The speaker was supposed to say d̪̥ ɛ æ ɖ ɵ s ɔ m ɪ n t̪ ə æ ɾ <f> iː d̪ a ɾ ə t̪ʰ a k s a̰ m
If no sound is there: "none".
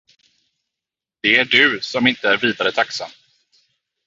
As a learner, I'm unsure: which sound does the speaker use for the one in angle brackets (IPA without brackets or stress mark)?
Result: v